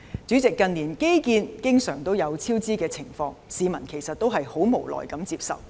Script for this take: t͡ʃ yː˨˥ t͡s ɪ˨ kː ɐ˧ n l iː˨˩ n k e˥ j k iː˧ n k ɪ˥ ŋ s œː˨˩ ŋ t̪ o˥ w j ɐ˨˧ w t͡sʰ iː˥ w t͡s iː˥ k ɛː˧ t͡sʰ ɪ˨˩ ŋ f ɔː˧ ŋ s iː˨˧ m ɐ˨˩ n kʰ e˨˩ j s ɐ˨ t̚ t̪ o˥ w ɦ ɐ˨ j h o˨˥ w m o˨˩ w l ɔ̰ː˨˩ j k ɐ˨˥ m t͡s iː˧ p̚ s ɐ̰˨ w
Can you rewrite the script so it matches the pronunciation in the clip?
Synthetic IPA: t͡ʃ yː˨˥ t͡s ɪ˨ kː ɐ˧ n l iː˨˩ n k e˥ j k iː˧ n k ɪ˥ ŋ s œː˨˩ ŋ t̪ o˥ w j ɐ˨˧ w t͡sʰ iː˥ w t͡s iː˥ k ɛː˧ t͡sʰ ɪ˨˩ ŋ f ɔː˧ ŋ s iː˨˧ m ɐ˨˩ n kʰ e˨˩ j s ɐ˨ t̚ t̪ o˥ w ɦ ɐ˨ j h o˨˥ w m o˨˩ w l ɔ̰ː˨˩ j k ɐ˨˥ m t͡s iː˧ p̚ s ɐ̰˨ w

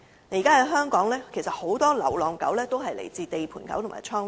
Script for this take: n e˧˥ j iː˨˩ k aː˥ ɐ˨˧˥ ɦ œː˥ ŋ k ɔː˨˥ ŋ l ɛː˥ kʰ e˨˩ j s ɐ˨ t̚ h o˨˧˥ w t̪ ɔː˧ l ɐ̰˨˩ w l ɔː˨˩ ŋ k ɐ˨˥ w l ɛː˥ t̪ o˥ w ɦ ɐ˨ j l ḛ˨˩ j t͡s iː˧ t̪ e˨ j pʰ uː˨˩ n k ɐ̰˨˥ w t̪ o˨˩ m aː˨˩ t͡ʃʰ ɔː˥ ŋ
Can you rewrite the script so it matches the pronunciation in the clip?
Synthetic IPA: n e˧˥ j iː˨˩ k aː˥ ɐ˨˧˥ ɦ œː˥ ŋ k ɔː˨˥ ŋ l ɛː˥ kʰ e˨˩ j s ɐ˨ t̚ h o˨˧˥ w t̪ ɔː˥ l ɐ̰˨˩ w l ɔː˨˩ ŋ k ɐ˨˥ w l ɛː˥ t̪ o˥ w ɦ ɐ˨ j l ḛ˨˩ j t͡s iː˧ t̪ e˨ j pʰ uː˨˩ n k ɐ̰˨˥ w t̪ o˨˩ m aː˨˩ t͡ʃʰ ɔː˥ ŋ

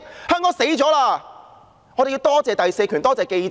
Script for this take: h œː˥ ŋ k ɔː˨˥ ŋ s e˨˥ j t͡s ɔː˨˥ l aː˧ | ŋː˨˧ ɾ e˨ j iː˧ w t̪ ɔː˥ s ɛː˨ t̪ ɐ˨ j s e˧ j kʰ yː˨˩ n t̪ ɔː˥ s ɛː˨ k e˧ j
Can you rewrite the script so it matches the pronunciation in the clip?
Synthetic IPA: h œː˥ ŋ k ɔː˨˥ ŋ s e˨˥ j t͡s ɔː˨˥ l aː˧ | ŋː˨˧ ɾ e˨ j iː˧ w t̪ ɔː˥ t͡s ɛː˨ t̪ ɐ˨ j s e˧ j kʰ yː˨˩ n t̪ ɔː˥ t͡s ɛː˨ k e˧ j

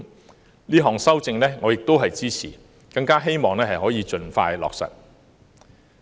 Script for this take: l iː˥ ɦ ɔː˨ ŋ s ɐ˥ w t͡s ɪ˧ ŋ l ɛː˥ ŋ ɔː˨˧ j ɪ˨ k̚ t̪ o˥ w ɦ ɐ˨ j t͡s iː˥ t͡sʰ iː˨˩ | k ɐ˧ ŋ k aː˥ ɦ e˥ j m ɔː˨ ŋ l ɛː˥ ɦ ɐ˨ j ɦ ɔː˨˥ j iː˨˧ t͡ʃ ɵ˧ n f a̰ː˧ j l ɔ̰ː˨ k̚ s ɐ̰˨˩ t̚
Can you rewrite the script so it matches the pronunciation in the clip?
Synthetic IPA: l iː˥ ɦ ɔː˨ ŋ s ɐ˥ w t͡s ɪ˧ ŋ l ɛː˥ ŋ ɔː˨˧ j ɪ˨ k̚ t̪ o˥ w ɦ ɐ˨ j t͡s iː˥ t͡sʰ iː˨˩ | k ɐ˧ ŋ k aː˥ ɦ e˥ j m ɔː˨ ŋ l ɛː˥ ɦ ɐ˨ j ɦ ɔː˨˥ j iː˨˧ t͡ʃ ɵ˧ n f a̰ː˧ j l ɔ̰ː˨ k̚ s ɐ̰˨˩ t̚

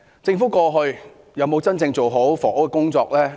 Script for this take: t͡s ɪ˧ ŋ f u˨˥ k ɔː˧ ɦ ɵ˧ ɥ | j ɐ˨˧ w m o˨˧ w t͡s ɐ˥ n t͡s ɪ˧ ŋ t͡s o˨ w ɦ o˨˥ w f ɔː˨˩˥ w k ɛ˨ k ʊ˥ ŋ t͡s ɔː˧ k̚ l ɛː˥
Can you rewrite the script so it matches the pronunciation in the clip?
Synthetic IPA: t͡s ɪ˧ ŋ f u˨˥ k ɔː˧ ɦ ɵ˧ ɥ | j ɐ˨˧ w m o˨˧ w t͡s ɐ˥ n t͡s ɪ˧ ŋ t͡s o˨ w ɦ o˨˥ w f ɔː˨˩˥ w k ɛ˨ k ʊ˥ ŋ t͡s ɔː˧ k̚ l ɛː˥

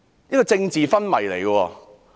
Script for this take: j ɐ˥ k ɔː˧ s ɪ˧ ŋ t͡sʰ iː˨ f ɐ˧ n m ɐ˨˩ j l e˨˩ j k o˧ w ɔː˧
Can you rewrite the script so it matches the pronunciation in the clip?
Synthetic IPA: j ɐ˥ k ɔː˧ t͡s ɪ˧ ŋ t͡s iː˨ f ɐ˥ n m ɐ˨˩ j l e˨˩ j k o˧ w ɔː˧

